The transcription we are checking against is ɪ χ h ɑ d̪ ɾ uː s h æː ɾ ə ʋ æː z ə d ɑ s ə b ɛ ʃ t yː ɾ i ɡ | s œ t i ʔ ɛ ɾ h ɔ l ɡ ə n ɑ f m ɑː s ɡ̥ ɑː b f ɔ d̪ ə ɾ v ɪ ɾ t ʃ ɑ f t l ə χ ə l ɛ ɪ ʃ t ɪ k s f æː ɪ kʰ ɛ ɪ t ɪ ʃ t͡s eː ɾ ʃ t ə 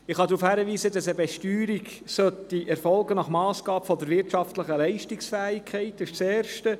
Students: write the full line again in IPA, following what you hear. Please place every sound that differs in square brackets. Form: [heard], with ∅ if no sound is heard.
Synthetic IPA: ɪ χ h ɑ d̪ ɾ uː [f] h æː ɾ ə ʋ [iː] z ə d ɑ s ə b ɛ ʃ t yː ɾ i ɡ | s œ t i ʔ ɛ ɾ [f] ɔ l ɡ ə n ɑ [χ] m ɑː s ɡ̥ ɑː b f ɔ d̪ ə ɾ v ɪ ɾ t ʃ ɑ f t l ə χ ə l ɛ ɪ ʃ t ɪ k s f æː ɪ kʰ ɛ ɪ t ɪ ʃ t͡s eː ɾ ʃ t ə